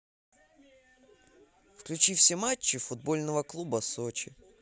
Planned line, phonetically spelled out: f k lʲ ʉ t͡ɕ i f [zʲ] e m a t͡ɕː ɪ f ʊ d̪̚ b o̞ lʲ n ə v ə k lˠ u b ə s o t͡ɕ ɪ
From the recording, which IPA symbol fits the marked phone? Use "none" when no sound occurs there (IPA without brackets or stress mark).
sʲ